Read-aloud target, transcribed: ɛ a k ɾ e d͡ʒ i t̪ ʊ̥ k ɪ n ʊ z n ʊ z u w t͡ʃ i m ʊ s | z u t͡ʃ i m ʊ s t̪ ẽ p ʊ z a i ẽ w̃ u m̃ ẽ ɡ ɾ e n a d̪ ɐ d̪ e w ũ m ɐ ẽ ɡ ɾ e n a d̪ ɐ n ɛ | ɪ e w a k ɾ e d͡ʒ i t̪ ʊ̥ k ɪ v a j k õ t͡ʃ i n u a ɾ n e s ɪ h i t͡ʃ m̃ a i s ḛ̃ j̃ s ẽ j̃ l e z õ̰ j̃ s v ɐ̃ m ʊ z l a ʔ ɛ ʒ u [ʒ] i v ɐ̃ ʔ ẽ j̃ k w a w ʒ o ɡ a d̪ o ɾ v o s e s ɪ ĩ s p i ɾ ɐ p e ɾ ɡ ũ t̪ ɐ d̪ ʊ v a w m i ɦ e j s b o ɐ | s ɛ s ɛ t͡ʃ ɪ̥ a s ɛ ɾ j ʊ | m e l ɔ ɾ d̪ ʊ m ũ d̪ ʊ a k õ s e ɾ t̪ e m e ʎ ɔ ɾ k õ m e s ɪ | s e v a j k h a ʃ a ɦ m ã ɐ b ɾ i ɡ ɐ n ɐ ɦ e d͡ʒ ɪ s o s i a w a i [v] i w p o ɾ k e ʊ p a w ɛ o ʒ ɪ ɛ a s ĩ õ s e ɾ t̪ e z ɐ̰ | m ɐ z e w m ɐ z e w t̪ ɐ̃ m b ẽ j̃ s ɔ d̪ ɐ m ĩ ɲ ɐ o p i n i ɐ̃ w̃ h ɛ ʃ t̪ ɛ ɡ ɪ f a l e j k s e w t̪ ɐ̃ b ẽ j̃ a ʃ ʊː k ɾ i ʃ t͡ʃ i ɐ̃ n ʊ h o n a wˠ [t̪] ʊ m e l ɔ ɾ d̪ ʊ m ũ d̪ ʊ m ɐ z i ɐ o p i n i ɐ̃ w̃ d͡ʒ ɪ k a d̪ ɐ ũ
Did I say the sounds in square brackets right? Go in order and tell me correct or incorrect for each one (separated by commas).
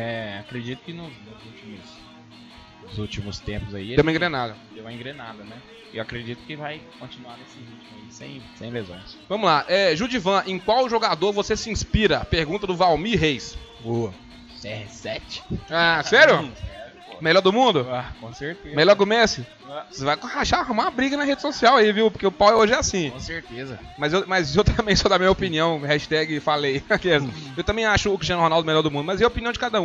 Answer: incorrect, correct, incorrect